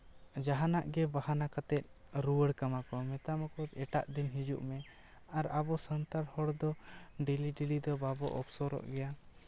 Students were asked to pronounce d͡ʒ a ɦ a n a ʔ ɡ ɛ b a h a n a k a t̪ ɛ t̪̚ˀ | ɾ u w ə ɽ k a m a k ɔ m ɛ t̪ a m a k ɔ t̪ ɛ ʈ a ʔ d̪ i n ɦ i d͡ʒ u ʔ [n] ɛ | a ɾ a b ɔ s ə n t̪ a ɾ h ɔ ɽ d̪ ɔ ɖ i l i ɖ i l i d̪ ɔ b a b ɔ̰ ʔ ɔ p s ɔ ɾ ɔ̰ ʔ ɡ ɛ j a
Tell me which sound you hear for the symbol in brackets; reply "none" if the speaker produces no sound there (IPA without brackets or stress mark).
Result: m